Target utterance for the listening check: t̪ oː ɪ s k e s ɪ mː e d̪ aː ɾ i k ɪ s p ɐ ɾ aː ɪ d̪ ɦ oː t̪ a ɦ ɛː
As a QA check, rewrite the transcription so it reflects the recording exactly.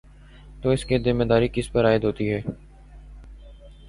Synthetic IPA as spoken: t̪ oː ɪ s k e z ɪ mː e d̪ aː ɾ i k ɪ s p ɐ ɾ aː ɪ d̪ ɦ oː t̪ i ɦ ɛː